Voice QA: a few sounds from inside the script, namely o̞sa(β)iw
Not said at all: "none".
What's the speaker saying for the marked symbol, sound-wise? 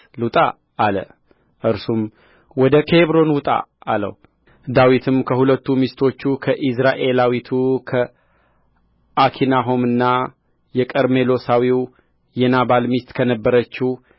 w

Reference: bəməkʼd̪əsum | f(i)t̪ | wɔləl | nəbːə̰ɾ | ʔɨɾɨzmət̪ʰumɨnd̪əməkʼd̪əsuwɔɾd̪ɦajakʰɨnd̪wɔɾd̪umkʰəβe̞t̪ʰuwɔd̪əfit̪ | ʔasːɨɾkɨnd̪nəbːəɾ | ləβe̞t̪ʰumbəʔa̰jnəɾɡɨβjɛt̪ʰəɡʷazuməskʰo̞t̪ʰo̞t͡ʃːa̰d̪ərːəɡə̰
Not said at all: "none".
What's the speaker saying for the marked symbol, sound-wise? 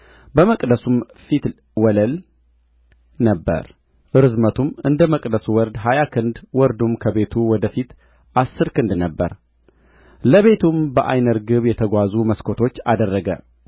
i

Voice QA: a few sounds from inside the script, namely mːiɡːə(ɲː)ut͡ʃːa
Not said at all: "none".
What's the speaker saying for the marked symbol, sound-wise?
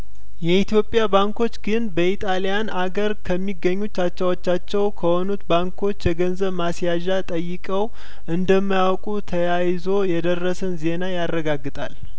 ɲː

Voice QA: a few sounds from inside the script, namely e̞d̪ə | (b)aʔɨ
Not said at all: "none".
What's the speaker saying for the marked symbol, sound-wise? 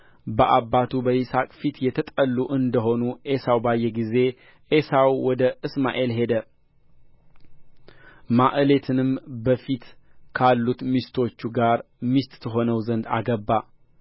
m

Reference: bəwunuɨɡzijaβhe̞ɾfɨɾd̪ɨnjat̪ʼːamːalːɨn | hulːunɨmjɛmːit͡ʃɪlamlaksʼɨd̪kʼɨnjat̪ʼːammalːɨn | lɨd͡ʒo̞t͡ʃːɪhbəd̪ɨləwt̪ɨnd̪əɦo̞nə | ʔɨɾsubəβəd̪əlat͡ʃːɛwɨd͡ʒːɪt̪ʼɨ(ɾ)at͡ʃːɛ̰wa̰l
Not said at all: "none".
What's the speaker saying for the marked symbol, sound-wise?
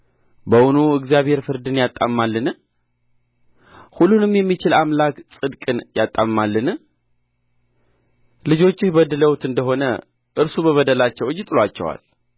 l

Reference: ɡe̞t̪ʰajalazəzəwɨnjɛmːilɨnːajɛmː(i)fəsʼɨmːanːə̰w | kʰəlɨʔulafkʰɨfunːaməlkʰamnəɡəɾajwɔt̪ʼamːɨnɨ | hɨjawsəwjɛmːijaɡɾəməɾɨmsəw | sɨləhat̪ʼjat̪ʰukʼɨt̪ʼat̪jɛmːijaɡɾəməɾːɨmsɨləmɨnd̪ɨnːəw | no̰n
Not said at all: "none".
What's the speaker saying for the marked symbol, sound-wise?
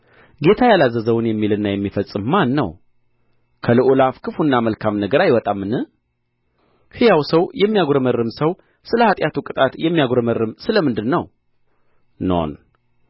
i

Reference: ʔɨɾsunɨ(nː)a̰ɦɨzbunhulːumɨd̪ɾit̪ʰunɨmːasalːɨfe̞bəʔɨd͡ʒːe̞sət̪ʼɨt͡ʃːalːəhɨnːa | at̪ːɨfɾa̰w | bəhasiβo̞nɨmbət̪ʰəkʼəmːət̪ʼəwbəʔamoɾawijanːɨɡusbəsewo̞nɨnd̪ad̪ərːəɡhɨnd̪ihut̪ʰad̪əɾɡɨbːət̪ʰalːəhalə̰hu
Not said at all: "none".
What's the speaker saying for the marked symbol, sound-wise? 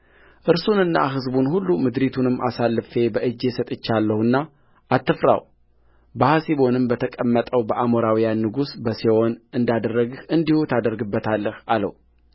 nː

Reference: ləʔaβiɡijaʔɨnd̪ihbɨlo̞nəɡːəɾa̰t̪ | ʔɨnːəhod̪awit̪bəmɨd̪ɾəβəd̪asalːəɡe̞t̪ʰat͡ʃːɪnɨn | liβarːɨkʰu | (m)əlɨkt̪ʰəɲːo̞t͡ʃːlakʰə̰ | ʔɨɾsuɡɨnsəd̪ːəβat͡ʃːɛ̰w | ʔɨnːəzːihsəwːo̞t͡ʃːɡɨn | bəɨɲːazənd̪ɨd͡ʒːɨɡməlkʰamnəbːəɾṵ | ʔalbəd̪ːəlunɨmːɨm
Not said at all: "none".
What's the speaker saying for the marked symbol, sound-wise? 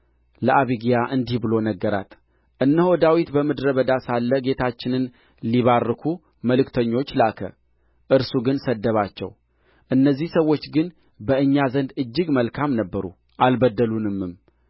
m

